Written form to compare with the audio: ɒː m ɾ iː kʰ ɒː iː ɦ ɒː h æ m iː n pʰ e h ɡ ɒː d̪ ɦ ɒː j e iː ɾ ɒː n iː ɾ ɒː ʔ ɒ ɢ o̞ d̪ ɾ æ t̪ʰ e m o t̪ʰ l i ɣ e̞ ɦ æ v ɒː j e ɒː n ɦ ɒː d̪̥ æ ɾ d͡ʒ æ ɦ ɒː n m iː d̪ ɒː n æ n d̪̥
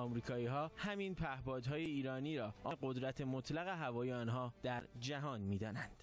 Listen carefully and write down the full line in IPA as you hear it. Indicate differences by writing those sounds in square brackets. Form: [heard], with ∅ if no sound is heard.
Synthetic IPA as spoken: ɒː m ɾ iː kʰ ɒː iː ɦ ɒː h æ m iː n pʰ [æ] h [b] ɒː d̪ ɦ ɒː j e iː ɾ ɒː n iː ɾ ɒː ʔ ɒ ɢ o̞ d̪ ɾ æ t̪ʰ e m o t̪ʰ l [æ] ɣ e̞ ɦ æ v ɒː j e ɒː n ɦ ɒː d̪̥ æ ɾ d͡ʒ æ ɦ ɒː n m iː d̪ ɒː n æ n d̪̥